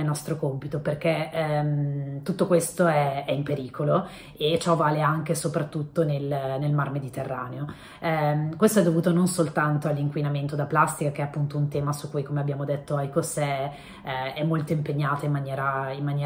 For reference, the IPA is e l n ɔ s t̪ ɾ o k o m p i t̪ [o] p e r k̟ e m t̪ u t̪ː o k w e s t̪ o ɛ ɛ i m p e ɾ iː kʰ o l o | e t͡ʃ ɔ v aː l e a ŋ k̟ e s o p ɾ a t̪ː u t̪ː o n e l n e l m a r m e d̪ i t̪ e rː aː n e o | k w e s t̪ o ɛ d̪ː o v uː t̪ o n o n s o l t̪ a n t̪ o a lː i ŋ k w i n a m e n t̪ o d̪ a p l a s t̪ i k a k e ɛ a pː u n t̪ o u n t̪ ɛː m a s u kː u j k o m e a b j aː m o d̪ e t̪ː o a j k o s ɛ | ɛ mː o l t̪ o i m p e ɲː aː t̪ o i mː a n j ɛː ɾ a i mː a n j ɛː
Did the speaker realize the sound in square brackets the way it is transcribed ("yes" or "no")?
yes